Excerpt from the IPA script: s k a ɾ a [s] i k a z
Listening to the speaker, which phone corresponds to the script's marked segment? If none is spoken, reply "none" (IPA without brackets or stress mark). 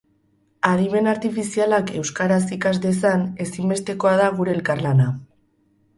s